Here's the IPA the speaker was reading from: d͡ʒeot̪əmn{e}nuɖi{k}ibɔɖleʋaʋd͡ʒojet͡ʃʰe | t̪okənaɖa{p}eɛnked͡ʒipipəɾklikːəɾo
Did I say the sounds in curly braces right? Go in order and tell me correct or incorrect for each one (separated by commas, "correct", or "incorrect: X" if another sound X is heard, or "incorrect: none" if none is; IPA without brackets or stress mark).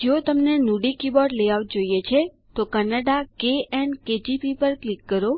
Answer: correct, correct, incorrect: k